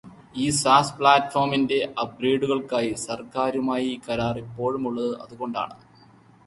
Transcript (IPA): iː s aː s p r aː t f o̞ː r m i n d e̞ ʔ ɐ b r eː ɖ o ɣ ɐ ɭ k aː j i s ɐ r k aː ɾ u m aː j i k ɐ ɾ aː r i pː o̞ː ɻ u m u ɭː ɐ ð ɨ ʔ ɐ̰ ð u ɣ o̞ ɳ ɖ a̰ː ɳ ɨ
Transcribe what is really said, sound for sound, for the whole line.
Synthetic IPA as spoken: iː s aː s p ɭ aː t f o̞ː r m i n d e̞ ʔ ɐ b r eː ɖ u ɣ ɐ ɭ k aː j i s ɐ r k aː ɾ u m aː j i k ɐ ɾ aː r i pː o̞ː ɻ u m u ɭː ɐ ð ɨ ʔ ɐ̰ ð u ɣ o̞ ɳ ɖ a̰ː ɳ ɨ